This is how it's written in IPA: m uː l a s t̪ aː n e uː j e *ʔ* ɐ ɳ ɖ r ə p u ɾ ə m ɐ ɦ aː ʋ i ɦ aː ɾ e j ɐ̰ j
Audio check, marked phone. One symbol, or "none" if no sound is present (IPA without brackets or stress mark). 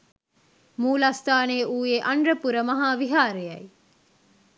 ʔ